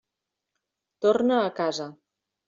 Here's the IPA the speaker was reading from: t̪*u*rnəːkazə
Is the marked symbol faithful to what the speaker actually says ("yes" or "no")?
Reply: no